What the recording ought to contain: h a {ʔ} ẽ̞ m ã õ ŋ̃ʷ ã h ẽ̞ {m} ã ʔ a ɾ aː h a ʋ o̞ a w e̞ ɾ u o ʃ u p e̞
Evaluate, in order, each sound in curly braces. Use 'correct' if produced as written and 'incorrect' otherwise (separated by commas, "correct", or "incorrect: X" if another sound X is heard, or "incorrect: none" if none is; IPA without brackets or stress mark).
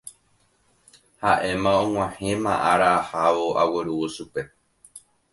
correct, correct